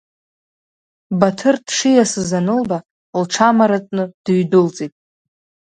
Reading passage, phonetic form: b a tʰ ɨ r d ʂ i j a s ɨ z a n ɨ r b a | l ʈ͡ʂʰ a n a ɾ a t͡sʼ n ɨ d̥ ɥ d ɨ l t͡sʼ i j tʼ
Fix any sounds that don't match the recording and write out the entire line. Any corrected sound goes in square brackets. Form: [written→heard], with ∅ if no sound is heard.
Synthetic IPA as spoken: b a tʰ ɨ r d ʂ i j a s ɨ z a n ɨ [r→l] b a | l ʈ͡ʂʰ a [n→m] a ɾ a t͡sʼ n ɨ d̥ ɥ d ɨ l t͡sʼ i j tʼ